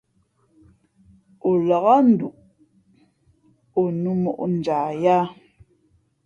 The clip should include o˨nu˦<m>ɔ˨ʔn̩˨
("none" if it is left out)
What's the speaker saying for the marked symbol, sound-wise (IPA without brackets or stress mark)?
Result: m